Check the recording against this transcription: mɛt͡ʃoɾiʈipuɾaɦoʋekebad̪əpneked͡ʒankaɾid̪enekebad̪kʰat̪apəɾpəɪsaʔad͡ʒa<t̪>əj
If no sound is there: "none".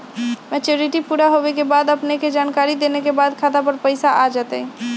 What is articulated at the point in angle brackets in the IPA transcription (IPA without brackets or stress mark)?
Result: t̪